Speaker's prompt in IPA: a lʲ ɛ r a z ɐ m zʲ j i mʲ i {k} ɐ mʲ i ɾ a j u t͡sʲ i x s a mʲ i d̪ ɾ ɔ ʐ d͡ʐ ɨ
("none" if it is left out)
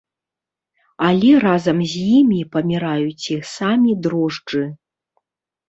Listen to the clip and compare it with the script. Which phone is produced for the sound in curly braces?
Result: p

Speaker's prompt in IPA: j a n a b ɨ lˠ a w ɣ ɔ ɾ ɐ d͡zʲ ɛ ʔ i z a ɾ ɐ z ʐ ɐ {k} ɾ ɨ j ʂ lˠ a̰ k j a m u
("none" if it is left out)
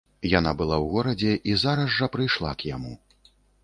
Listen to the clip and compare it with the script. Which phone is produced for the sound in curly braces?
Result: p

